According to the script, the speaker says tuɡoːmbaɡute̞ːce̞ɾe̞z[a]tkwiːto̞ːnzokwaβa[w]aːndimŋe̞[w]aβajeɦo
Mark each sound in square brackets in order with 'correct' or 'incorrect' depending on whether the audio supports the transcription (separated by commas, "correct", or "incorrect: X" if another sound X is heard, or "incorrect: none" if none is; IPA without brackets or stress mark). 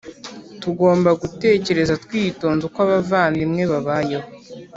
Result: correct, incorrect: v, incorrect: β